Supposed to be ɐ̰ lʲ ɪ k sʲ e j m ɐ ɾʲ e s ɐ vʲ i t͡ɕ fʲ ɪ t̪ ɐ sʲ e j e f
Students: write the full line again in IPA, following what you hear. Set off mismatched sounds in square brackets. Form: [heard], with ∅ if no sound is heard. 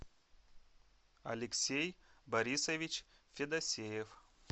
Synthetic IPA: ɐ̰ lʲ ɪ k sʲ e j [b] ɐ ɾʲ [i] s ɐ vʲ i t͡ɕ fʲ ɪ [d̪] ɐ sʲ e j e f